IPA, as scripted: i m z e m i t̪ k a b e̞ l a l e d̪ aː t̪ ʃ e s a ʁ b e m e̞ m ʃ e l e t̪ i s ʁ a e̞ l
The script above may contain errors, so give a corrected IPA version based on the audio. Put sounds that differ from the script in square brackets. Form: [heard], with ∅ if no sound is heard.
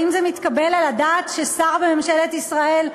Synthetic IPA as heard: i m z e m i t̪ k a b e̞ l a l [a] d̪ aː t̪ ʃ e s a ʁ b e m e̞ m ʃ e l e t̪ i s ʁ a e̞ l